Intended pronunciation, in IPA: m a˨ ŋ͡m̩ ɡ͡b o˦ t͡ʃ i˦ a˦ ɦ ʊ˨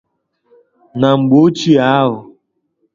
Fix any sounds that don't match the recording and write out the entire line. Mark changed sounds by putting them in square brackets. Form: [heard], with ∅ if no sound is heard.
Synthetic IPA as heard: [n] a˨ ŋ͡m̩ ɡ͡b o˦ t͡ʃ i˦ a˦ ɦ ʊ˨

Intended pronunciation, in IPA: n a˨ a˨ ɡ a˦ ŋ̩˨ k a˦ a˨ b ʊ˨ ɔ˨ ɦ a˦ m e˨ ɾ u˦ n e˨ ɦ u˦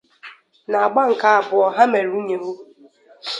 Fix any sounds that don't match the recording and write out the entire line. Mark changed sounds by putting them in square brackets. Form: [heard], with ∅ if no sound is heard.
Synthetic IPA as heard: n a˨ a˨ [ɡ͡b] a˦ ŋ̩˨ k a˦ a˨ b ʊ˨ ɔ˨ ɦ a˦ m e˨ ɾ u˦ [ɲ] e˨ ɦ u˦

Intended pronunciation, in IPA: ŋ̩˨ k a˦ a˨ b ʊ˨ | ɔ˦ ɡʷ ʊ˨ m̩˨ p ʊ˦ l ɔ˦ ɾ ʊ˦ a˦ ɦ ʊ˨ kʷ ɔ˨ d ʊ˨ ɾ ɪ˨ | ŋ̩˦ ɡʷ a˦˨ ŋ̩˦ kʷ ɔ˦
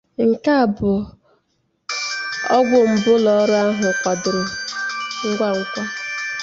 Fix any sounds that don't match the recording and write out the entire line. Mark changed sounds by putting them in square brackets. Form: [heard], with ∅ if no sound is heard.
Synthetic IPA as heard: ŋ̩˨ k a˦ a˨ b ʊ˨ | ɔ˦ ɡʷ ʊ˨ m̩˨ [b] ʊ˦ l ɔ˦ ɾ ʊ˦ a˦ ɦ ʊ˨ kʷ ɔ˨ d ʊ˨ ɾ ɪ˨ | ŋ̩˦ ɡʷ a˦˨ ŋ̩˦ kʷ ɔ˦

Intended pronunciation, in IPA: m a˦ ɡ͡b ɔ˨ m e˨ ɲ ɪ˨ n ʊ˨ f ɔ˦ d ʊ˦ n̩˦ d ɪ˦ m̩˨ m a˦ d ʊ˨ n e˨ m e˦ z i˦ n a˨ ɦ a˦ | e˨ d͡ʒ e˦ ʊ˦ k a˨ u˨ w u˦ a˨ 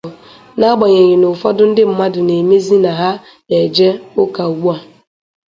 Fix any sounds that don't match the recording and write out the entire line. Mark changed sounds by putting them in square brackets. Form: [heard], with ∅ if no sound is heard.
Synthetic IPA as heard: [n] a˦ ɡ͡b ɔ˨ [ɲ] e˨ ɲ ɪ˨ n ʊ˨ f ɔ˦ d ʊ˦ n̩˦ d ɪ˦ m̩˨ m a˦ d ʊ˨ n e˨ m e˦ z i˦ n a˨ ɦ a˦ | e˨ d͡ʒ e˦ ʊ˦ k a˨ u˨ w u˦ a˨

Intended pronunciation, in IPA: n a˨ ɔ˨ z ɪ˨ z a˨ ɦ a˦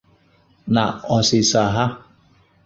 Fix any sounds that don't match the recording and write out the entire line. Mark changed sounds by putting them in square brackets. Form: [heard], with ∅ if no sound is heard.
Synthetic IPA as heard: n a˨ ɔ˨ [s] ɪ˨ [s] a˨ ɦ a˦

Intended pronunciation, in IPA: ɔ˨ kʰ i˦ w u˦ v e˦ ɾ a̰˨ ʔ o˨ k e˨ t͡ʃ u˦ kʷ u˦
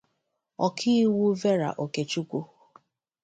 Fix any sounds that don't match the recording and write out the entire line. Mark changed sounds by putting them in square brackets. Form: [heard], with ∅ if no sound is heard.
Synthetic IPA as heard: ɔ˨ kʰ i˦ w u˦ v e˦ ɾ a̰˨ ʔ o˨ k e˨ t͡ʃ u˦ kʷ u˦

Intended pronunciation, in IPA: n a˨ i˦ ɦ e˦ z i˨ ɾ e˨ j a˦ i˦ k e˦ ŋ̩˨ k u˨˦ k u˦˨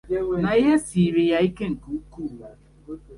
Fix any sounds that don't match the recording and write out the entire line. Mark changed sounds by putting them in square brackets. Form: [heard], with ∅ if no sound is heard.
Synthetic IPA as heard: n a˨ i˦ ɦ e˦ [s] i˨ ɾ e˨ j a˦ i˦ k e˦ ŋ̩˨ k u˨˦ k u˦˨

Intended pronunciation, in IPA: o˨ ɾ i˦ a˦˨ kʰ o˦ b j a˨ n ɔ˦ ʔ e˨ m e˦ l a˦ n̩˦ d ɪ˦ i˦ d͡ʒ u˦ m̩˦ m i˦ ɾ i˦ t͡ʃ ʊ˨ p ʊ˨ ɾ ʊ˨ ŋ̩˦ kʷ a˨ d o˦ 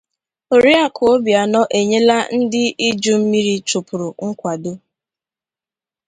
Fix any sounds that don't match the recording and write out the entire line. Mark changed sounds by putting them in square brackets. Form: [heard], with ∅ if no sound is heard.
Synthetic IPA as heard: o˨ ɾ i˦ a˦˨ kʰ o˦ b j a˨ n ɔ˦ ʔ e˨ [ɲ] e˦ l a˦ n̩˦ d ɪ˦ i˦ d͡ʒ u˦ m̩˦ m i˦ ɾ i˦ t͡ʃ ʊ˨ p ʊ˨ ɾ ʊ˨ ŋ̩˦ kʷ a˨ d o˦

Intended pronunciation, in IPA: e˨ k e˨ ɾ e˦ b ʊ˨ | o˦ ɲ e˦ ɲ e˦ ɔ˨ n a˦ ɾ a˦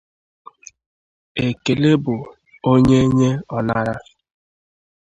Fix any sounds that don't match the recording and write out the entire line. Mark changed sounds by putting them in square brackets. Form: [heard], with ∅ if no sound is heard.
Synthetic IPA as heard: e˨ k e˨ [l] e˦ b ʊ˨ | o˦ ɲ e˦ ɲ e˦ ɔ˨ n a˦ ɾ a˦

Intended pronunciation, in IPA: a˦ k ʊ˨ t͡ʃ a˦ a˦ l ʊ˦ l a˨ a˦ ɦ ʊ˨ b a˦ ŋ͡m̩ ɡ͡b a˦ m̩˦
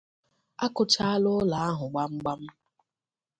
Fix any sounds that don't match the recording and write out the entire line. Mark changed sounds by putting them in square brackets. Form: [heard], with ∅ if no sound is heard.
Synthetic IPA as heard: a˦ k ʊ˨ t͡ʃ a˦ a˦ l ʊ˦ l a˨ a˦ ɦ ʊ˨ [ɡ͡b] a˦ ŋ͡m̩ ɡ͡b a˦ m̩˦

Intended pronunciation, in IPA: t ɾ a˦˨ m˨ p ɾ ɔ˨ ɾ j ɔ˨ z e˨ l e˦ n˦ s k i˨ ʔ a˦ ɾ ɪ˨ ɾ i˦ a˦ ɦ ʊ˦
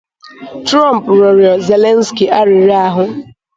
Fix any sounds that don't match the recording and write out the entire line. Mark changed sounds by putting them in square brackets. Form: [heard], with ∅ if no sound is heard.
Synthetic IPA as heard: t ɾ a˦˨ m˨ p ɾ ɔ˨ ɾ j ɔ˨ z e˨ l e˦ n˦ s k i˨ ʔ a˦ ɾ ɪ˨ ɾ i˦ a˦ ɦ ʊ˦

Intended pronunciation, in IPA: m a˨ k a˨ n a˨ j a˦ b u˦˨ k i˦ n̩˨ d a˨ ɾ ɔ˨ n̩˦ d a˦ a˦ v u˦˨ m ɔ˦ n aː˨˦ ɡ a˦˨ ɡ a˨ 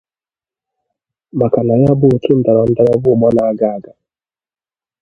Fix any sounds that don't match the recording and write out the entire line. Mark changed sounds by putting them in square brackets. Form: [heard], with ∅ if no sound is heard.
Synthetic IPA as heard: m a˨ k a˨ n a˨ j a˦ b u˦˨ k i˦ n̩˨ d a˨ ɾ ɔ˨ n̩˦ d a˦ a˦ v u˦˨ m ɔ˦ n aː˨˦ ɡ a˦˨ ɡ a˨

